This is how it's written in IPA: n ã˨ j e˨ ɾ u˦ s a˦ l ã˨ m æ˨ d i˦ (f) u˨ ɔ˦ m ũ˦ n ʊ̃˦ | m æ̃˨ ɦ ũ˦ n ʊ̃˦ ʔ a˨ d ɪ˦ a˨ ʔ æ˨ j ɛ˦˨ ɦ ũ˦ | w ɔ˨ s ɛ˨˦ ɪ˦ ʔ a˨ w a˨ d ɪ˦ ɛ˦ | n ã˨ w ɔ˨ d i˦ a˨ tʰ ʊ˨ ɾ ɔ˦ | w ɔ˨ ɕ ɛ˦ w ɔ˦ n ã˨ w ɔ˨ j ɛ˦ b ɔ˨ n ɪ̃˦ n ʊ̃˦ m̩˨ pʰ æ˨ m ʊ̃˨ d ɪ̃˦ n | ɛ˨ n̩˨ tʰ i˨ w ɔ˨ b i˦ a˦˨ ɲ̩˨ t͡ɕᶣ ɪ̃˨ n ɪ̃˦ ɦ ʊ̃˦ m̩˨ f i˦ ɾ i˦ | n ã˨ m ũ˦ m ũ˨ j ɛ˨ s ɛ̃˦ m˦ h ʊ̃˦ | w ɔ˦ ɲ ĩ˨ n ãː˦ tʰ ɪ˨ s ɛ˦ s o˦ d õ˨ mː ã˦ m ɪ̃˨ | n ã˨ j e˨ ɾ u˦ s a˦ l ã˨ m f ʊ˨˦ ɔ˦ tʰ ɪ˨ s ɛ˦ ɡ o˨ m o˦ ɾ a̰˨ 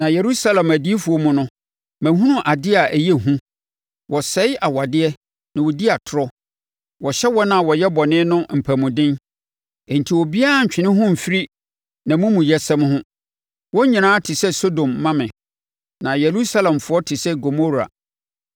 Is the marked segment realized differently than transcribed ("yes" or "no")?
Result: no